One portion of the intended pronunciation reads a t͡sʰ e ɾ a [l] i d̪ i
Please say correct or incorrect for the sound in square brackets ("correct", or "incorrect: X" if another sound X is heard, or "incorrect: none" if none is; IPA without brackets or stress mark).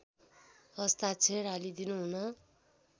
correct